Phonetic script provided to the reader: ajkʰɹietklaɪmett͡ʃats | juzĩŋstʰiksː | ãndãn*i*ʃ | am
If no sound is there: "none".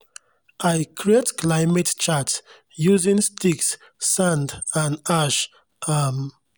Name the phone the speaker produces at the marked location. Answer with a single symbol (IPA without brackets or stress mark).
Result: a